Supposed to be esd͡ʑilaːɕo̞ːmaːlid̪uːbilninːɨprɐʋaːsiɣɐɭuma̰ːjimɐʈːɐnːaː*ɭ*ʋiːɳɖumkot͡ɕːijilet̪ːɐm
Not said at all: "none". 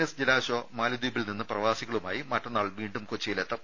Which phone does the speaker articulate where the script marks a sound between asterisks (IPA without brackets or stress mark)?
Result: ɭ